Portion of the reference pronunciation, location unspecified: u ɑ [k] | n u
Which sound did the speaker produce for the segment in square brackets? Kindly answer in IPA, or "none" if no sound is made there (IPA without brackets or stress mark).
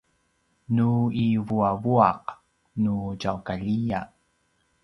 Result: q